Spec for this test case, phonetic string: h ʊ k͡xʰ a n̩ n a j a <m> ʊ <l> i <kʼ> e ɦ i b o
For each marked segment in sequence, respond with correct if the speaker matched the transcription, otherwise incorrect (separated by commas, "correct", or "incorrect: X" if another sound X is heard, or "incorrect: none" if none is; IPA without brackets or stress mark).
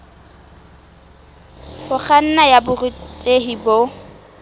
incorrect: b, incorrect: r, incorrect: tʼ